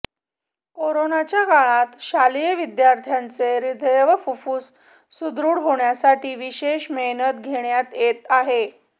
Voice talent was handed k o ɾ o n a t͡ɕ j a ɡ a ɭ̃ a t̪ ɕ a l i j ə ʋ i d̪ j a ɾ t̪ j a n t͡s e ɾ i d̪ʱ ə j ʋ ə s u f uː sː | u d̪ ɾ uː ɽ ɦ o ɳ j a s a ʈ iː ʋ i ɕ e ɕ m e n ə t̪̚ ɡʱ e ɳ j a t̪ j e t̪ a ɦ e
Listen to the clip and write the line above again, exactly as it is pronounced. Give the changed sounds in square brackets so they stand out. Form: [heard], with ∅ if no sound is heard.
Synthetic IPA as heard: k o ɾ o n a t͡ɕ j a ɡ a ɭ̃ a t̪ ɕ a l i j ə ʋ i d̪ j a ɾ [t̪ʰ] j a n t͡s e ɾ i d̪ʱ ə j ʋ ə [f] u f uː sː | u d̪ ɾ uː ɽ ɦ o ɳ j a s a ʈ iː ʋ i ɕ e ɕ m e n ə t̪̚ ɡʱ e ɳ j a t̪ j e t̪ a ɦ e

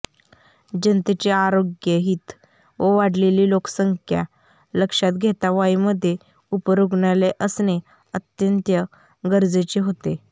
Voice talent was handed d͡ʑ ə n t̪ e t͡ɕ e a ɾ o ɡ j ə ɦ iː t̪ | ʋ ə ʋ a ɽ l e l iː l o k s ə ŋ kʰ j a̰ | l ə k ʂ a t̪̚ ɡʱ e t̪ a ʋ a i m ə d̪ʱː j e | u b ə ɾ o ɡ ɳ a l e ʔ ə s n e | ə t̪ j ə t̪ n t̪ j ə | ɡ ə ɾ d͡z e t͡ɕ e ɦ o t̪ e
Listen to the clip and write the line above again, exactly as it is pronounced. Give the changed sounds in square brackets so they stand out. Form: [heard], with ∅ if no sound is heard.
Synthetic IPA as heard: d͡ʑ ə n t̪ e t͡ɕ e a ɾ o ɡ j ə ɦ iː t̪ | ʋ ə ʋ a ɽ l e l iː l o k s ə ŋ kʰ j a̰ | l ə k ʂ a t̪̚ ɡʱ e t̪ a ʋ a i m ə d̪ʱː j e | u [p] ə ɾ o ɡ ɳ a l e ʔ ə s n e | ə t̪ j ə [∅] n t̪ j ə | ɡ ə ɾ d͡z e t͡ɕ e ɦ o t̪ e

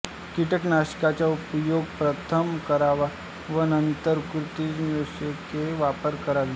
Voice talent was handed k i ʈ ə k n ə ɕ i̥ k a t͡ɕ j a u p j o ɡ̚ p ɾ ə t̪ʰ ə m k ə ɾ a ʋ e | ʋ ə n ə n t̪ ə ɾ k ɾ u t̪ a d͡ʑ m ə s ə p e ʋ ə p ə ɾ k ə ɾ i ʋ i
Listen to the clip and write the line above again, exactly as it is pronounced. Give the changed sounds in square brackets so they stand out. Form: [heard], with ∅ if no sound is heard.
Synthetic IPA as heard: k i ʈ ə k n [a] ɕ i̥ k a t͡ɕ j a u p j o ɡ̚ p ɾ ə t̪ʰ ə m k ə ɾ a ʋ [a] | ʋ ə n ə n t̪ ə ɾ k ɾ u t̪ [i] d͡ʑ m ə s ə [k] e ʋ [a] p ə ɾ k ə ɾ [a] ʋ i

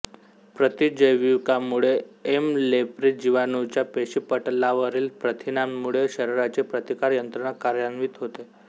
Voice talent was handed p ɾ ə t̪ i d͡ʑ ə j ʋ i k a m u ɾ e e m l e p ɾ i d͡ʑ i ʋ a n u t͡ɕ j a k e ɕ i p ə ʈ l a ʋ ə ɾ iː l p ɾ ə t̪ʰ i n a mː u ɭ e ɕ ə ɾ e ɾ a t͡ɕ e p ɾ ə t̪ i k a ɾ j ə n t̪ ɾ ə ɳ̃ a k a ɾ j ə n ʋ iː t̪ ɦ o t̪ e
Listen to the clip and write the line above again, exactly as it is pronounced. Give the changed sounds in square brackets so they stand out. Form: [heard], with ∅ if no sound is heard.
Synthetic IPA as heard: p ɾ ə t̪ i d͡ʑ ə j ʋ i k a m u [ɭ] e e m l e p ɾ i d͡ʑ i ʋ a n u t͡ɕ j a [p] e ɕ i p ə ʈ l a ʋ ə ɾ iː l p ɾ ə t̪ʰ i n a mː u ɭ e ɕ ə ɾ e ɾ a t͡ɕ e p ɾ ə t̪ i k a ɾ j ə n t̪ ɾ ə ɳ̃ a k a ɾ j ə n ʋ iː t̪ ɦ o t̪ e

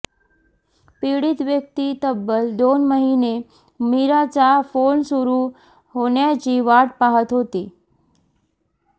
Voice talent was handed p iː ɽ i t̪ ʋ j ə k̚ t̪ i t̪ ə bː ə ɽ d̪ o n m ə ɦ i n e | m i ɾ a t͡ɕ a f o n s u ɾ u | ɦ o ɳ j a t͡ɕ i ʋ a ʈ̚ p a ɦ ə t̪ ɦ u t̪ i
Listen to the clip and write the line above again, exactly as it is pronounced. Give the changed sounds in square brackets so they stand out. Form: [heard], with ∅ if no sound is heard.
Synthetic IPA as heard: p [i] ɽ i t̪ ʋ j ə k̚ t̪ i t̪ ə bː ə [l] d̪ o n m ə ɦ i n e | m i ɾ a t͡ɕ a f o n s u ɾ u | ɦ o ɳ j a t͡ɕ i ʋ a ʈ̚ p a ɦ ə t̪ ɦ [o] t̪ i

